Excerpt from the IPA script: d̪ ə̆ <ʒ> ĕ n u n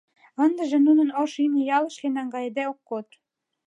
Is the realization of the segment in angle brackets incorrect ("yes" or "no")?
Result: no